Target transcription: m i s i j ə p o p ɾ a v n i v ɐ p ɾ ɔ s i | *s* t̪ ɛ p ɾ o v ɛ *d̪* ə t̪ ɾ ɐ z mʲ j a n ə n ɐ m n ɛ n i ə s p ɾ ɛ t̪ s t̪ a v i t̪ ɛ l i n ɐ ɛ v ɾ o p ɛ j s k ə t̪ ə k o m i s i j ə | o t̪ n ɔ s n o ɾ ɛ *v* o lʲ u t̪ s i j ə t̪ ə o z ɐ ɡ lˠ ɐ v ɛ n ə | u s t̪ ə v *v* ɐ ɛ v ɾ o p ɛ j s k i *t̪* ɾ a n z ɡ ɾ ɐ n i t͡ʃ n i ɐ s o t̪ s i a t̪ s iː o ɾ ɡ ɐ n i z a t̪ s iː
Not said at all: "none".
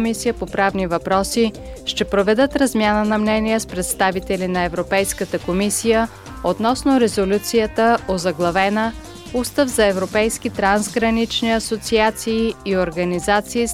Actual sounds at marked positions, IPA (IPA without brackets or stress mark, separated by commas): ʃ, d̪, z, z, t̪